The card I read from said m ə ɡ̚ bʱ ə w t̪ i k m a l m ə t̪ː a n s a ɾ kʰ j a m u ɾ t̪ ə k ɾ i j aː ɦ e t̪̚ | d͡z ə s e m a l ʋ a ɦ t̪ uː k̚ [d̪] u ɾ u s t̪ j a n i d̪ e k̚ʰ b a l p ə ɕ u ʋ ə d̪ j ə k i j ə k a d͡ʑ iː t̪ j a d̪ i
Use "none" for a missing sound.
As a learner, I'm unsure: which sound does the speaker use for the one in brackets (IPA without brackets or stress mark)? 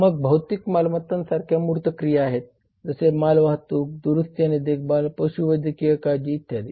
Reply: d̪